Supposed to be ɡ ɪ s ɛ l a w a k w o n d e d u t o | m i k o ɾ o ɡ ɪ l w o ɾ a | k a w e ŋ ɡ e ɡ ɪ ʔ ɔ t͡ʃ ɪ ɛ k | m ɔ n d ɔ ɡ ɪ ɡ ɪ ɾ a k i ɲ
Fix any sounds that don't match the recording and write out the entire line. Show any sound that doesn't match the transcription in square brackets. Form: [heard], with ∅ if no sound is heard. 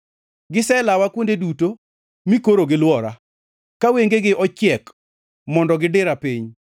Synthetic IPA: ɡ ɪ s ɛ l a w a k w o n d e d u t o | m i k o ɾ o ɡ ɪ l w [ɔ] ɾ a | k a w e ŋ ɡ e ɡ ɪ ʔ ɔ t͡ʃ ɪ ɛ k | m ɔ n d ɔ ɡ ɪ [d] ɪ ɾ a [p] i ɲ